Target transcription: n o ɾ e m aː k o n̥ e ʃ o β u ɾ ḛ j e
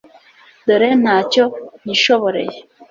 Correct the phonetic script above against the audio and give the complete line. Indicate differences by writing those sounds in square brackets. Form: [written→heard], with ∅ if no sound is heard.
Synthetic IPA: [n→d] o ɾ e [m→n] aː [k→c] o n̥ [e→i] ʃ o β [u→o] ɾ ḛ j e